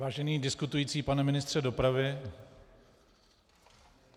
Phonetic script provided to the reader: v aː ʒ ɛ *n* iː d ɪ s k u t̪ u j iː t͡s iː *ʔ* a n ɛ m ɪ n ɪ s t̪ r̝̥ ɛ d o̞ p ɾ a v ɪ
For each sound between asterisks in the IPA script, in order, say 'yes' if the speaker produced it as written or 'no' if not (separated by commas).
yes, no